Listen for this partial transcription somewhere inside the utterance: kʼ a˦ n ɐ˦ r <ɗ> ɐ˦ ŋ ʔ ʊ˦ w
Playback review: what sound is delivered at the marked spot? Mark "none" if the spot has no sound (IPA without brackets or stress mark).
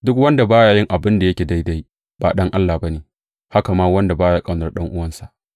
ɗ